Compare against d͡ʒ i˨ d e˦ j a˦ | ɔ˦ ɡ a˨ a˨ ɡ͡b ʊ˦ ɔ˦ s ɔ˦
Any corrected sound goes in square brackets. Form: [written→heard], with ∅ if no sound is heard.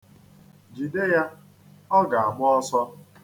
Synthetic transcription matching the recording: d͡ʒ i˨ d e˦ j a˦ | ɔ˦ ɡ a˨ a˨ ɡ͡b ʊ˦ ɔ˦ s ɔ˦